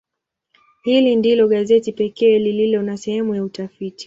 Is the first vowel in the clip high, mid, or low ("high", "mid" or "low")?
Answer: high